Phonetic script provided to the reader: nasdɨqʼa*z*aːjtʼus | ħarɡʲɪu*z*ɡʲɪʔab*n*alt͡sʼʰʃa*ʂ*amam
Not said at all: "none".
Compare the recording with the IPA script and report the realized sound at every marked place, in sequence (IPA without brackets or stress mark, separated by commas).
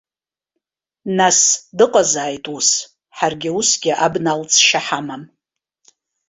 z, s, n, ħ